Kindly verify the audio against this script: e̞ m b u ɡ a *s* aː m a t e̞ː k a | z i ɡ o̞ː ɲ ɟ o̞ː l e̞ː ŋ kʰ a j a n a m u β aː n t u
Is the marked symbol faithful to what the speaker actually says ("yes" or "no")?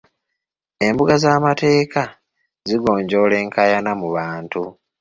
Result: no